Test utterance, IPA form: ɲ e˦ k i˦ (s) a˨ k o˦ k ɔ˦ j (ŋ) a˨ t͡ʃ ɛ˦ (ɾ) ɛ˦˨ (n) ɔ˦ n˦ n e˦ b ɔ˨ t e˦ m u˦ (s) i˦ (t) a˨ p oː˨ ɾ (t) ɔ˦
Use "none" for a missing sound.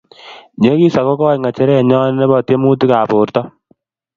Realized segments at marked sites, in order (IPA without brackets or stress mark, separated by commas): s, ŋ, ɾ, ɲ, t, k, t